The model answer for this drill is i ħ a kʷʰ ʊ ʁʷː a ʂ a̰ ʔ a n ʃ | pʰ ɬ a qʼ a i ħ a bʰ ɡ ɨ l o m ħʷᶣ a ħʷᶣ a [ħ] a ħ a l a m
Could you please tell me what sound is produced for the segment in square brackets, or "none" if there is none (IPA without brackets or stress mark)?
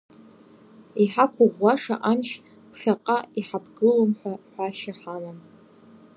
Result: ʃ